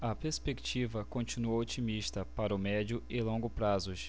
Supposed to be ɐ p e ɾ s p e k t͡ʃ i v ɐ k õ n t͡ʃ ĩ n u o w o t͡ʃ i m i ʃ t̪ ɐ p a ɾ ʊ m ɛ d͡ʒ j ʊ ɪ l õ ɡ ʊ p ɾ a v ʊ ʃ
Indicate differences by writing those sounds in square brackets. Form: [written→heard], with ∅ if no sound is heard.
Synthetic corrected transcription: ɐ p e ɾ s p e k t͡ʃ i v ɐ k õ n t͡ʃ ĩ n u o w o t͡ʃ i m i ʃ t̪ ɐ p a ɾ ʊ m ɛ d͡ʒ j ʊ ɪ l õ ɡ ʊ p ɾ a [v→z] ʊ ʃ

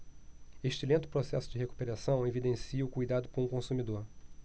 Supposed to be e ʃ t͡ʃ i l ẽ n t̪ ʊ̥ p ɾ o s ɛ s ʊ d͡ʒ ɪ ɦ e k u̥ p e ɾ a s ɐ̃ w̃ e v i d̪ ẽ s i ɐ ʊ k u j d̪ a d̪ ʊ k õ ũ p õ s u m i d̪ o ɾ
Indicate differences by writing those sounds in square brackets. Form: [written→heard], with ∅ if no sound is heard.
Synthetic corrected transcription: e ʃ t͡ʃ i l ẽ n t̪ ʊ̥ p ɾ o s ɛ s ʊ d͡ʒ ɪ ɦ e k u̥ p e ɾ a s ɐ̃ w̃ e v i d̪ ẽ s i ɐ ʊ k u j d̪ a d̪ ʊ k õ ũ [p→k] õ s u m i d̪ o ɾ

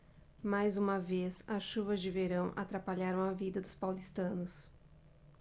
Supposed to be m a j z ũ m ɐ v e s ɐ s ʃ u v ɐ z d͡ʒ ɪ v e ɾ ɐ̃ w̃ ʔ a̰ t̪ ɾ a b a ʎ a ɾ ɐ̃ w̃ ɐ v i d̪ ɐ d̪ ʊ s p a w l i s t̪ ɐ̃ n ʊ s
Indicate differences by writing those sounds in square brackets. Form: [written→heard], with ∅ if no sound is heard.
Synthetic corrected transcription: m a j z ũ m ɐ v e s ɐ s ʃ u v ɐ z d͡ʒ ɪ v e ɾ ɐ̃ w̃ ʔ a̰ t̪ ɾ a [b→p] a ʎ a ɾ ɐ̃ w̃ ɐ v i d̪ ɐ d̪ ʊ s p a w l i s t̪ ɐ̃ n ʊ s

